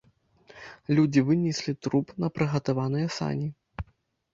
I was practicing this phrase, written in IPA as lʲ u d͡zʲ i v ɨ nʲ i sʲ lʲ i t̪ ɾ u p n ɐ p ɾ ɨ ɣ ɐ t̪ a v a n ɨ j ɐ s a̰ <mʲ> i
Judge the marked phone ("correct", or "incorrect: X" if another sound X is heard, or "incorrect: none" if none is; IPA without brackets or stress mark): incorrect: nʲ